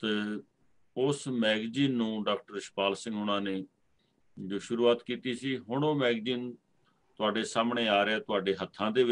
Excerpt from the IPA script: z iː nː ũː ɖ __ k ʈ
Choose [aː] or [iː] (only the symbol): aː